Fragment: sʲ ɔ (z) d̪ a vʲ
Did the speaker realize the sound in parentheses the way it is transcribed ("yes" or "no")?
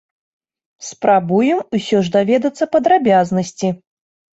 no